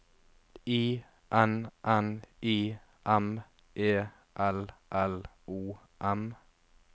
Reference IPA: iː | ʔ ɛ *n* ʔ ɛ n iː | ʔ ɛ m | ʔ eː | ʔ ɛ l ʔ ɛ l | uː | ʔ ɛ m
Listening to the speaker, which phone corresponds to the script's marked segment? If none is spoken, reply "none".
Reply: n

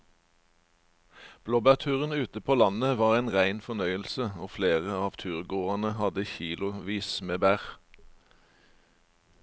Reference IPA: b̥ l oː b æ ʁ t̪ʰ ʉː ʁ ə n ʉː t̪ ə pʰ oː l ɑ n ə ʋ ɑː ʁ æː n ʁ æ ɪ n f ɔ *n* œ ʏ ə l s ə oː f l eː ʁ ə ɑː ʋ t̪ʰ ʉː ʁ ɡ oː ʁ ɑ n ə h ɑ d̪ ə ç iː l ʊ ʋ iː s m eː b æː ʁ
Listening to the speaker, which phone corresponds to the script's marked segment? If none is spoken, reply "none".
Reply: n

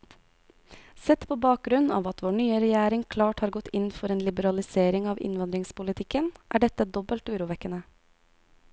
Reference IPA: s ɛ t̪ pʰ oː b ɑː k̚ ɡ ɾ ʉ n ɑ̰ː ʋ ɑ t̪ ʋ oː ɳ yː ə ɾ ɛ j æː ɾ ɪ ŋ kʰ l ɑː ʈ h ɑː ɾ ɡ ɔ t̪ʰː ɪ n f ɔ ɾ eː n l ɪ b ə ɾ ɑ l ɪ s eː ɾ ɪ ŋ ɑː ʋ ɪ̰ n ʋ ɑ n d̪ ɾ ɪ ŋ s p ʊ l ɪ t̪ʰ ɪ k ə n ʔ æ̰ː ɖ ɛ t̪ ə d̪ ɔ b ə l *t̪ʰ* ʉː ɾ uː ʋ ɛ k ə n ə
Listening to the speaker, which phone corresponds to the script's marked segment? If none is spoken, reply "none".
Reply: t̪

